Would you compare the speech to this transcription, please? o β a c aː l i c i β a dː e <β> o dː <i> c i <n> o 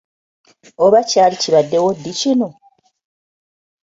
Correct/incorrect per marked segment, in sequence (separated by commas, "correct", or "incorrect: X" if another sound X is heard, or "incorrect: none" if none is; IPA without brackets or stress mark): incorrect: w, correct, correct